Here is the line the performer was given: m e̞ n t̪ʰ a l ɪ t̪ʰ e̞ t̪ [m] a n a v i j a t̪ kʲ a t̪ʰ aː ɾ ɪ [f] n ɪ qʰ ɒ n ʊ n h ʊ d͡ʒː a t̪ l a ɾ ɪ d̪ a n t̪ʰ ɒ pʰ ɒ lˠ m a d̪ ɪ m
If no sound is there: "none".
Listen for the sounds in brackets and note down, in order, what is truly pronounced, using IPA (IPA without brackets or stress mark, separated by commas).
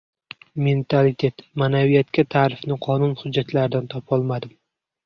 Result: m, f